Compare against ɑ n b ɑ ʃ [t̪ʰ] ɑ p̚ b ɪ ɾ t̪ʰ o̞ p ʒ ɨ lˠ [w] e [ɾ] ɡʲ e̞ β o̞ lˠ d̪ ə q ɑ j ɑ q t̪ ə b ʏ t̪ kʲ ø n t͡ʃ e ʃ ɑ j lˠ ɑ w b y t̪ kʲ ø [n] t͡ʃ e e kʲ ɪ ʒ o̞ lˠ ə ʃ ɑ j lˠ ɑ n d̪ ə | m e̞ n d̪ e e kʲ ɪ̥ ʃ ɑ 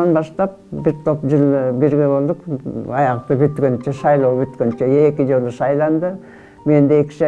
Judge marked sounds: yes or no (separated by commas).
no, no, yes, yes